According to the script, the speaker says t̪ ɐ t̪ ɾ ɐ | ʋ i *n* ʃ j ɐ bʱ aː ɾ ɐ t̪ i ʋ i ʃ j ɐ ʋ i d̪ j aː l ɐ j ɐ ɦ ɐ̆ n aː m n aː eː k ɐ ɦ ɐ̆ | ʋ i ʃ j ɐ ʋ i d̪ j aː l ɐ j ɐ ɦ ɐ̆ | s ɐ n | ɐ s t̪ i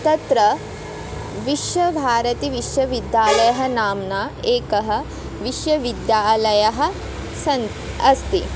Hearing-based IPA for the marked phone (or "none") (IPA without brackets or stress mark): none